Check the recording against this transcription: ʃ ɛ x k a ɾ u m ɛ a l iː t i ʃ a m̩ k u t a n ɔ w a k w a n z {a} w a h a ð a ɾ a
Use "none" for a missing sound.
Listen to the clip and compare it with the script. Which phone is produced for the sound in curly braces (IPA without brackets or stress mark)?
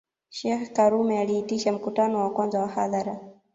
a